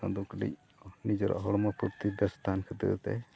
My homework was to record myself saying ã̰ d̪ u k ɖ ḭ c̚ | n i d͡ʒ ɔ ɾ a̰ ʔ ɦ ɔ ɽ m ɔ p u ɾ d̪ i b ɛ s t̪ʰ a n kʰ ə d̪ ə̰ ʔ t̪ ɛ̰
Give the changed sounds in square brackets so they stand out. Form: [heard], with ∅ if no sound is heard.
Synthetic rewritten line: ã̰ d̪ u k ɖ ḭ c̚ | n i d͡ʒ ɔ ɾ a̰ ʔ ɦ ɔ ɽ m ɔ p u ɾ [t̪] i b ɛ s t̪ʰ a n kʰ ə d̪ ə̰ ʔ t̪ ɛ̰